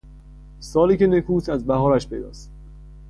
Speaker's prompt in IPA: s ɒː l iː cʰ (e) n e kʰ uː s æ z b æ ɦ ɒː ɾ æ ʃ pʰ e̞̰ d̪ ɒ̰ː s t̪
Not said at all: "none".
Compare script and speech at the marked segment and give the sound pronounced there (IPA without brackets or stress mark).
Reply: e